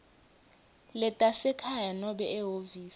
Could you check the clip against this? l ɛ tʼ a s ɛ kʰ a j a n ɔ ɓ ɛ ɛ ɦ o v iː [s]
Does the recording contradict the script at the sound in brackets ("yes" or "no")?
no